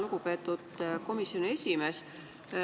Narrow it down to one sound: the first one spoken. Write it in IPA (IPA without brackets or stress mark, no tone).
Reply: l